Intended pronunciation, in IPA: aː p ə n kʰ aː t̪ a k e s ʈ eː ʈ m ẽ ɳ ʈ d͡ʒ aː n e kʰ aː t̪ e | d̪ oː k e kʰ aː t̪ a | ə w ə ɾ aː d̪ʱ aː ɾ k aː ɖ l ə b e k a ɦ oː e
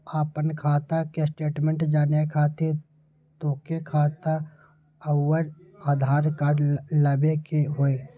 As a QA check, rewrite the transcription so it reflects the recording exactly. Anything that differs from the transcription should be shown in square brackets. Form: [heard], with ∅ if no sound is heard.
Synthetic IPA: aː p ə n kʰ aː t̪ a k e s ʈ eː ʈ m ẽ ɳ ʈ d͡ʒ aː n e kʰ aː t̪ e | [t̪] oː k e kʰ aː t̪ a | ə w ə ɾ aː d̪ʱ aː ɾ k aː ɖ l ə b e k [e] ɦ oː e

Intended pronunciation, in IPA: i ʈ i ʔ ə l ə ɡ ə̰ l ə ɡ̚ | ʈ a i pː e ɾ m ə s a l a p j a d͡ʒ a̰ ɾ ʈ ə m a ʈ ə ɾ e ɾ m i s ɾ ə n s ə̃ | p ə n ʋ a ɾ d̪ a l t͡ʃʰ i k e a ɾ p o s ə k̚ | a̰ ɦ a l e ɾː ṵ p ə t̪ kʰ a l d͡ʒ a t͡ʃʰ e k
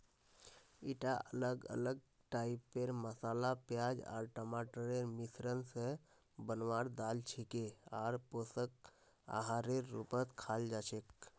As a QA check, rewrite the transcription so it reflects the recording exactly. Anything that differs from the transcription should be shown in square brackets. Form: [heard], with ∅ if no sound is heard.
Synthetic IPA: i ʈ [a] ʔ ə l ə ɡ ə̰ l ə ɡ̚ | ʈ a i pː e ɾ m ə s a l a p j a d͡ʒ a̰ ɾ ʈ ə m a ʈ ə ɾ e ɾ m i s ɾ ə n s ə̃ | [b] ə n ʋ a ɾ d̪ a l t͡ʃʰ i k e a ɾ p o s ə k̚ | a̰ ɦ a [ɾ] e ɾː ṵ p ə t̪ kʰ a l d͡ʒ a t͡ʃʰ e k

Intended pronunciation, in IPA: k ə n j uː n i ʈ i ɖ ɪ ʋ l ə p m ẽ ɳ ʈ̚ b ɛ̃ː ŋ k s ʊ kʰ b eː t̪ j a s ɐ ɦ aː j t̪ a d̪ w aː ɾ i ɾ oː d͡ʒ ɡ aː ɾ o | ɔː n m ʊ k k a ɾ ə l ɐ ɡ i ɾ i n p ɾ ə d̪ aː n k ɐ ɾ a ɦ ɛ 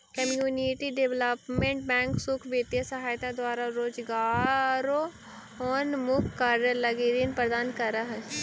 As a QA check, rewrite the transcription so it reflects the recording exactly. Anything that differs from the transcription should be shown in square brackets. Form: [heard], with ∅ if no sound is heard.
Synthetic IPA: k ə [m] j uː n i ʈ i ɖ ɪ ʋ l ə p m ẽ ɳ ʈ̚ b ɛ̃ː ŋ k s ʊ kʰ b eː t̪ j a s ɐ ɦ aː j t̪ a d̪ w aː ɾ [a] ɾ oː d͡ʒ ɡ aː ɾ o | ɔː n m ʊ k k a ɾ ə l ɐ ɡ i ɾ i n p ɾ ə d̪ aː n k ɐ ɾ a ɦ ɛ

